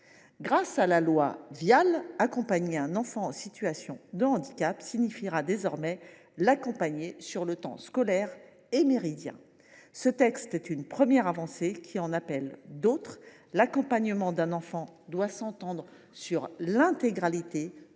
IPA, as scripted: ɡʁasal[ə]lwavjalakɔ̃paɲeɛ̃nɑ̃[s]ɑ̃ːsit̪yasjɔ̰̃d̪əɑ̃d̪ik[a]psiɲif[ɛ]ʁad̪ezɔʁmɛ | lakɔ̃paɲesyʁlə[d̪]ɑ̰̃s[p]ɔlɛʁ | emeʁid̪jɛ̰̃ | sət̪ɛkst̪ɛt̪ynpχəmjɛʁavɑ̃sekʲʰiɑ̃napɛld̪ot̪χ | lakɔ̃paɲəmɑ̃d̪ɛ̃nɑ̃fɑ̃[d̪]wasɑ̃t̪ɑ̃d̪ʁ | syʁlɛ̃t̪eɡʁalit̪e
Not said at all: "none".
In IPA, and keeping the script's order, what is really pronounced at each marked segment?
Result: a, f, a, i, t̪, k, d̪

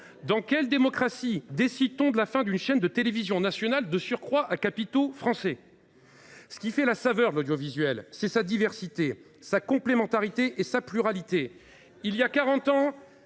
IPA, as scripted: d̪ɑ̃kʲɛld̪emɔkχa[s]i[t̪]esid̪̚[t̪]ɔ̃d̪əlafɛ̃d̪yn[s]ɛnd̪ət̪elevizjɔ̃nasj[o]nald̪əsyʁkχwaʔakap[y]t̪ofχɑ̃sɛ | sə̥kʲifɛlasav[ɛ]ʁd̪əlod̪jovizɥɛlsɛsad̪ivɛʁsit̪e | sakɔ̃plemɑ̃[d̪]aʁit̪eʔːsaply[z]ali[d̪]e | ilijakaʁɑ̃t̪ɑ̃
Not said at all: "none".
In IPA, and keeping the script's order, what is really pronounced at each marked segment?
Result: s, d̪, t̪, ʃ, ɔ, i, œ, t̪, ʁ, t̪

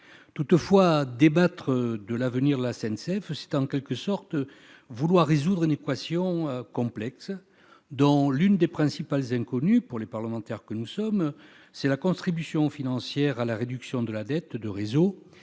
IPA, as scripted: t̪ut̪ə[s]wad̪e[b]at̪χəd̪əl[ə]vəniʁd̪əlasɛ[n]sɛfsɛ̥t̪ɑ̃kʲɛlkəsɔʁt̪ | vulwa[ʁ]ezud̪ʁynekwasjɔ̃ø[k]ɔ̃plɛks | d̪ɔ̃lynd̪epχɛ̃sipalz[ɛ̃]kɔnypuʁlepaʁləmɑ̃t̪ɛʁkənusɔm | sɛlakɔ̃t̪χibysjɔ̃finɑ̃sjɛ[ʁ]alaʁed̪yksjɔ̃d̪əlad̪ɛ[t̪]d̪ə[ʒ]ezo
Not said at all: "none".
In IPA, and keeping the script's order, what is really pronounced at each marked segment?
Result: f, b, a, n, ʁː, k, ɛ̃, ʁ, t̪, ʁ

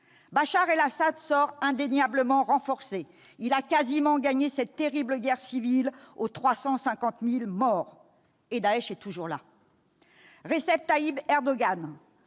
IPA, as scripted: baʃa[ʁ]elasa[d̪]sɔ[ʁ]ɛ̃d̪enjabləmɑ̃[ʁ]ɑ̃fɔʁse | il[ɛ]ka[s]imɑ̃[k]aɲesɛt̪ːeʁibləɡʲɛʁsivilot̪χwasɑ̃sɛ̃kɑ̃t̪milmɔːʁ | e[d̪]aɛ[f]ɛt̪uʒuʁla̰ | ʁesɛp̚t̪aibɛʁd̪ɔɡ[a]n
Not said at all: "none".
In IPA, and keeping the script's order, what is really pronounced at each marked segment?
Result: ʁ, d̪, ʁ, ʁ, a, z, ɡ, d̪, ʃ, a

